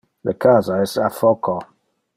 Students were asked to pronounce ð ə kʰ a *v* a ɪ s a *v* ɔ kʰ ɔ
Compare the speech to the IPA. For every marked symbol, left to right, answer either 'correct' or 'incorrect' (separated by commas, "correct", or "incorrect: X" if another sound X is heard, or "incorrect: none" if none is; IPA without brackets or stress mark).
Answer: incorrect: z, incorrect: f